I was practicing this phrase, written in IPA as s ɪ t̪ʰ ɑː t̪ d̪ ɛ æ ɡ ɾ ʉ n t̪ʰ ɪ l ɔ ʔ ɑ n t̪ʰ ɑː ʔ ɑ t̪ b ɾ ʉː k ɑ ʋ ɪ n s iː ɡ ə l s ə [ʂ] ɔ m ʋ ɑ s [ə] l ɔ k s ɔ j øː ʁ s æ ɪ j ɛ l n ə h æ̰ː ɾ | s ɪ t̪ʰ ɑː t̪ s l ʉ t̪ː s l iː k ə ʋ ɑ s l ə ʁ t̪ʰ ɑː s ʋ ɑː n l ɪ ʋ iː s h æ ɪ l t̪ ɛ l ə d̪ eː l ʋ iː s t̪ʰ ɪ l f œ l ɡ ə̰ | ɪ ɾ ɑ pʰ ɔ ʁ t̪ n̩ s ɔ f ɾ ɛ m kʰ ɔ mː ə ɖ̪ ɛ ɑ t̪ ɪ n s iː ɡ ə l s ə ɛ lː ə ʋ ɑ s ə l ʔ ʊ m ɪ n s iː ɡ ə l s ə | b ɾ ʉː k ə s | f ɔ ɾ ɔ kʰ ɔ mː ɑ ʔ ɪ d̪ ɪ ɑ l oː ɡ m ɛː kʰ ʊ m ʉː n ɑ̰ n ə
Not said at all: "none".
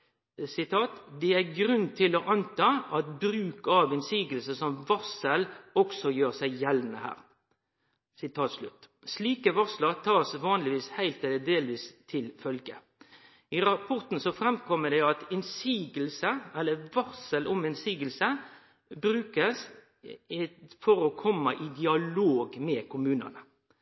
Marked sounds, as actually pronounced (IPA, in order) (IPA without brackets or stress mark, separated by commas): s, ə